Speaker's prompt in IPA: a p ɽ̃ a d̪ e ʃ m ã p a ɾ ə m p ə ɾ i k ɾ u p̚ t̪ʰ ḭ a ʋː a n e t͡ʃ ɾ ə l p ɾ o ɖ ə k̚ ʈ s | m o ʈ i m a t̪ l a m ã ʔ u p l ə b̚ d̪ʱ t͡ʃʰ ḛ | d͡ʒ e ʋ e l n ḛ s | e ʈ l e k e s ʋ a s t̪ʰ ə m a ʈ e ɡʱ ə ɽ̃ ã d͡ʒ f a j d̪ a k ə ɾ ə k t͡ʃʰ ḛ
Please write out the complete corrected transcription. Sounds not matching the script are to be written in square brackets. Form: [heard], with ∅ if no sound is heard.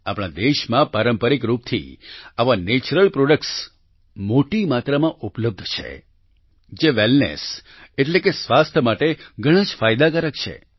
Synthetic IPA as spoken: a p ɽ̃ a d̪ e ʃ m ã p a ɾ ə m p ə ɾ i k ɾ u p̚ t̪ʰ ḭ a [ʋ] a n e t͡ʃ ɾ ə l p ɾ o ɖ ə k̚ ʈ s | m o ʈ i m a t̪ [ɾ] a m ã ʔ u p l ə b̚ d̪ʱ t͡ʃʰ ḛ | d͡ʒ e ʋ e l n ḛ s | e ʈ l e k e s ʋ a s t̪ʰ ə m a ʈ e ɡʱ ə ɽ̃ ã d͡ʒ f a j d̪ a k ə ɾ ə k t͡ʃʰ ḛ